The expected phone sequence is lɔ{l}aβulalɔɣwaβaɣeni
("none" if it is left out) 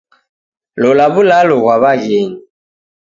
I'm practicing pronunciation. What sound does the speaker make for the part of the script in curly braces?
l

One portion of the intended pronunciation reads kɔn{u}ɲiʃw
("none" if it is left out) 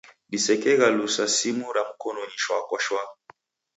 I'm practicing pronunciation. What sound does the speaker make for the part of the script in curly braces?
ɔ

